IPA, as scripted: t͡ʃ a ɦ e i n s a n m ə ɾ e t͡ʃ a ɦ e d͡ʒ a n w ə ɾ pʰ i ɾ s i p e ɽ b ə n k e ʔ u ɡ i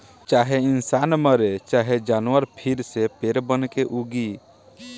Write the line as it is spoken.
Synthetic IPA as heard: t͡ʃ a ɦ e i n s a n m ə ɾ e t͡ʃ a ɦ e d͡ʒ a n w ə ɾ pʰ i ɾ s e p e ɾ b ə n k e ʔ u ɡ i